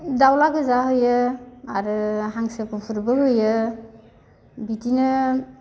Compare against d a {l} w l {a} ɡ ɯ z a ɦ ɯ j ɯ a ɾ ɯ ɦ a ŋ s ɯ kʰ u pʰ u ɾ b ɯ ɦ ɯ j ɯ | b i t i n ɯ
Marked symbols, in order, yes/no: no, yes

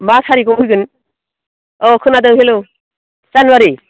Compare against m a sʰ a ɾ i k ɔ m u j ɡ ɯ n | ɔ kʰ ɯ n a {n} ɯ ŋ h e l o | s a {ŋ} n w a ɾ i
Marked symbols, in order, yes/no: no, no

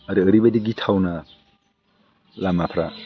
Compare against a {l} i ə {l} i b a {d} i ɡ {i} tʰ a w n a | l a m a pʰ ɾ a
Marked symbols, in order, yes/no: no, no, yes, yes

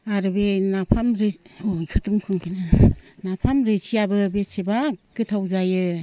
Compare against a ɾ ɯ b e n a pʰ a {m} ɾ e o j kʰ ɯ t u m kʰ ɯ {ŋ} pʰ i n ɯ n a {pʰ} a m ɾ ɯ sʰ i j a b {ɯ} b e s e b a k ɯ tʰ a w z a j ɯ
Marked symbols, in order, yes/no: yes, yes, yes, yes

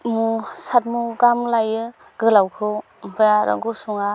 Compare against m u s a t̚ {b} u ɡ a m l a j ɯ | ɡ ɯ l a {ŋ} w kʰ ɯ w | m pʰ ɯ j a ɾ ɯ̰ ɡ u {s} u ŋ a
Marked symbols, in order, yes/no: no, no, yes

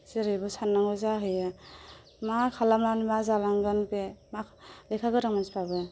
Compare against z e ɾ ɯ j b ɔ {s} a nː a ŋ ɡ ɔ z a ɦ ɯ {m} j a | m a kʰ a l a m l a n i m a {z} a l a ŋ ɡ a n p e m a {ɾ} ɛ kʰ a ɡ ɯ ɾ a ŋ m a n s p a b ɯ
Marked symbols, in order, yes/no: yes, no, yes, no

